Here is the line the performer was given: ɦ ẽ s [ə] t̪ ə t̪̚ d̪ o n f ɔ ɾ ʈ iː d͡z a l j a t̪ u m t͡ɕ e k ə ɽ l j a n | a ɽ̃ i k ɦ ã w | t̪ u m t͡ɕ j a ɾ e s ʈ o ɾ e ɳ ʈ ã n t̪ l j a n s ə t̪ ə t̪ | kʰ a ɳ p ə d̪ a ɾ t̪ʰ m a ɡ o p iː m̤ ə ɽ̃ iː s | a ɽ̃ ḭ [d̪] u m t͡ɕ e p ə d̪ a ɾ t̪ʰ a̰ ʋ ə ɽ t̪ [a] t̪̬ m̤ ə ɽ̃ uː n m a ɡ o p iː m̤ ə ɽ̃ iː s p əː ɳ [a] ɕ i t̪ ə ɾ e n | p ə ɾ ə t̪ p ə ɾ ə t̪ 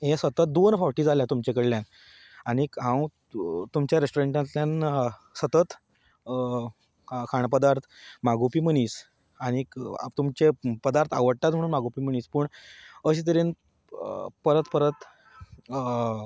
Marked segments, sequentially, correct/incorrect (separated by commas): correct, incorrect, correct, incorrect